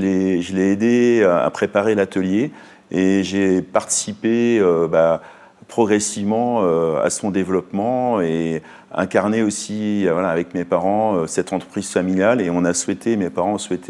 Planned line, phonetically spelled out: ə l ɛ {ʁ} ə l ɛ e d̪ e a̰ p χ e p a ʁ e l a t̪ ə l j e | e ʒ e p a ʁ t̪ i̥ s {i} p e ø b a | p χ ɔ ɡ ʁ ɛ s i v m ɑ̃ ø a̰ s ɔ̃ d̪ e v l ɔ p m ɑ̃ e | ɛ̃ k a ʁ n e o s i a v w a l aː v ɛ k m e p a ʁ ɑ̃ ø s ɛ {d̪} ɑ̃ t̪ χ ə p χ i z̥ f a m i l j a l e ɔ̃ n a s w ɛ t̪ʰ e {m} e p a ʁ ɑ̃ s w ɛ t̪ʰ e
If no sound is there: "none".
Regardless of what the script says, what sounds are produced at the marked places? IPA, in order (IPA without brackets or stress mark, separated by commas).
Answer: ʒ, i, t̪, m